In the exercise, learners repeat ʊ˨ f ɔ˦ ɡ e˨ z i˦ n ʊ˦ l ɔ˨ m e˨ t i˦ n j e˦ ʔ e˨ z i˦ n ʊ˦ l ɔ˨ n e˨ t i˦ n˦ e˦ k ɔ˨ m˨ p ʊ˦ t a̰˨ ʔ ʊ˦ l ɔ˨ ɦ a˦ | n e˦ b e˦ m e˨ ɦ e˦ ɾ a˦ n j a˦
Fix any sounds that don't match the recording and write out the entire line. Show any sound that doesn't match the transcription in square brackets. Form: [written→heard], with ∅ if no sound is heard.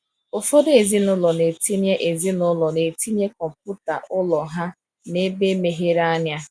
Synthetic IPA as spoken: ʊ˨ f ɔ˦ [ɡ→d] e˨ z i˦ n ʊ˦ l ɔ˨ [m→n] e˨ t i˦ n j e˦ ʔ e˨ z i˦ n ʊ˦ l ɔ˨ n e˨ t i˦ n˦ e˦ k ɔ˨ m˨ p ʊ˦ t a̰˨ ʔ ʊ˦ l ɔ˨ ɦ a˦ | n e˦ b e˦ m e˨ ɦ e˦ ɾ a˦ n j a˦

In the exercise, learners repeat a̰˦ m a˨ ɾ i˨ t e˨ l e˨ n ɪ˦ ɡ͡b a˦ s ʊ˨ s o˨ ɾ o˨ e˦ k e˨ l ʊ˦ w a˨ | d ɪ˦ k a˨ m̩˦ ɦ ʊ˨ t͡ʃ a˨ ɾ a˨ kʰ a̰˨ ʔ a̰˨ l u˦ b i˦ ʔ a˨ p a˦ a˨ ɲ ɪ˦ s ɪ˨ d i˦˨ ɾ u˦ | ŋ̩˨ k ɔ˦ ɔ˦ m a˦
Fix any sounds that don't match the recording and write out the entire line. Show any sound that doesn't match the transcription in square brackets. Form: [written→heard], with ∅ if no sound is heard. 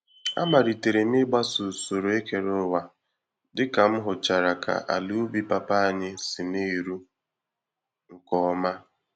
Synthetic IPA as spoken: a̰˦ m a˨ ɾ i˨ t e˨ [l→ɾ] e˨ n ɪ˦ ɡ͡b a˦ s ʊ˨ s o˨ ɾ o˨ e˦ k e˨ [l→ɾ] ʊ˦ w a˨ | d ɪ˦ k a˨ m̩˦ ɦ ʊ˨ t͡ʃ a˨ ɾ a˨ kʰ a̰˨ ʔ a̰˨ l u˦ b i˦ [ʔ→p] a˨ p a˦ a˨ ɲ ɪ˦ s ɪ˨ [d→n] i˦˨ ɾ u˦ | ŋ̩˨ k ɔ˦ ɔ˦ m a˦

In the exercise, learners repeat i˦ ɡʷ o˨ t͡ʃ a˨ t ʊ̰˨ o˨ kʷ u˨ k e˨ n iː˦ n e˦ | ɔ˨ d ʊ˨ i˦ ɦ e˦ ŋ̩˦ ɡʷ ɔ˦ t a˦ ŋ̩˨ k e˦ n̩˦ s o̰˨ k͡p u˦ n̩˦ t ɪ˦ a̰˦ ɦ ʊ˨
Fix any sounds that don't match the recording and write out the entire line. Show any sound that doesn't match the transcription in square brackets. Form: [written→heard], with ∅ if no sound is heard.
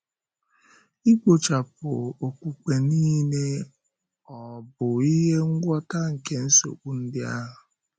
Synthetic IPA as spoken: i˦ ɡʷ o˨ t͡ʃ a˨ [t→p] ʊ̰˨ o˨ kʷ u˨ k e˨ n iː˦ n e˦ | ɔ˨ [d→b] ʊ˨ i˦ ɦ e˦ ŋ̩˦ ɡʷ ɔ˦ t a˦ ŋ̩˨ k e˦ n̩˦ s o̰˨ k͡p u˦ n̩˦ [t→d] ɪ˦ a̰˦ ɦ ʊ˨

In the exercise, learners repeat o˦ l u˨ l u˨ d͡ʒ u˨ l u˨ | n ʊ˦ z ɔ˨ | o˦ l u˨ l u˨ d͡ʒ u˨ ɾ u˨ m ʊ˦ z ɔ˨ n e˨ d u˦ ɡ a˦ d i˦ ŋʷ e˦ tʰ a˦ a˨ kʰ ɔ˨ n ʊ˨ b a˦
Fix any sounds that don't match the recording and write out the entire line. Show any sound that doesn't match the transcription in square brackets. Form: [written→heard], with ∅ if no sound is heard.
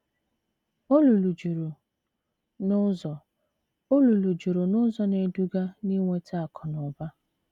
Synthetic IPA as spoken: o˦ l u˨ l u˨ d͡ʒ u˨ [l→ɾ] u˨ | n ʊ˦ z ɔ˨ | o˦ l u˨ l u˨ d͡ʒ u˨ ɾ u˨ [m→n] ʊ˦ z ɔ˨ n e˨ d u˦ ɡ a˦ [d→n] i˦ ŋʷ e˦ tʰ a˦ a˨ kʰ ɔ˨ n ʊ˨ b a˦

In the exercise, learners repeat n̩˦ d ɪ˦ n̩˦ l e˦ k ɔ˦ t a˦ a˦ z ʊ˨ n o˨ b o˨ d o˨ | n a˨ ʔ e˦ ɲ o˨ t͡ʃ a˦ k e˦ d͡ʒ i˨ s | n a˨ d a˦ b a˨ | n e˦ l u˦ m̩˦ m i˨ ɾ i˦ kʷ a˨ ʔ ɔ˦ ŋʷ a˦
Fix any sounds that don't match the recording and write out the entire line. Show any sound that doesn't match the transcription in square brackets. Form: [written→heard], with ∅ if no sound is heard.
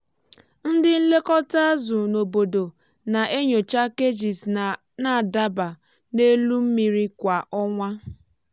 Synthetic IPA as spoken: n̩˦ d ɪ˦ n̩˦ l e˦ k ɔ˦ t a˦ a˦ z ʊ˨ n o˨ b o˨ d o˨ | n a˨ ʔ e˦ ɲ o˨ t͡ʃ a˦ k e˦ d͡ʒ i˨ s | n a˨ d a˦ b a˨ | n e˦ l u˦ m̩˦ m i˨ ɾ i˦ kʷ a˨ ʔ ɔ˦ ŋʷ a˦

